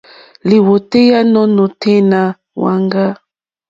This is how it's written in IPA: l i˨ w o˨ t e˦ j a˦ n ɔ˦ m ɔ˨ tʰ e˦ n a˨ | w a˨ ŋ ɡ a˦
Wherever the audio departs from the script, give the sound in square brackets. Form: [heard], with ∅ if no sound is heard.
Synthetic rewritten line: l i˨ w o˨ t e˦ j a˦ n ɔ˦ [n] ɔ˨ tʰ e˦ n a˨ | w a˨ ŋ ɡ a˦